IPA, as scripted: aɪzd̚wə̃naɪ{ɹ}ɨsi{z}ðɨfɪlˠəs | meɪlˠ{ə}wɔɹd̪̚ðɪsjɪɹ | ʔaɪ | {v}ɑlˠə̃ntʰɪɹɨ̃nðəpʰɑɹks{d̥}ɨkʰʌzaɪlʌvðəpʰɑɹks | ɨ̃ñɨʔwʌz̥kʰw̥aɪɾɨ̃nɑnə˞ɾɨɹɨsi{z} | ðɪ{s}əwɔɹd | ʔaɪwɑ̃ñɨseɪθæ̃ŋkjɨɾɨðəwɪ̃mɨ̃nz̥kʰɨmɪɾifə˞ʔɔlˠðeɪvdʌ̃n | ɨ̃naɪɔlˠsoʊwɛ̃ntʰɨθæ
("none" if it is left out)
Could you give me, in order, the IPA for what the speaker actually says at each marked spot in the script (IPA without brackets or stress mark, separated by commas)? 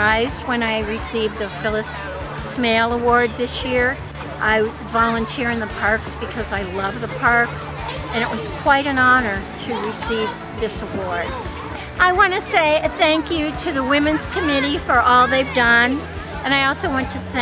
ɹ, v, ə, v, b̥, v, s